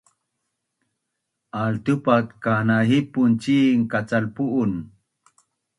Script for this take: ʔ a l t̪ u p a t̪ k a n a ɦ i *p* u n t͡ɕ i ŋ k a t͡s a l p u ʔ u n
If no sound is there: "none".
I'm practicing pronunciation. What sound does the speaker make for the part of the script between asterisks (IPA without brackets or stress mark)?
p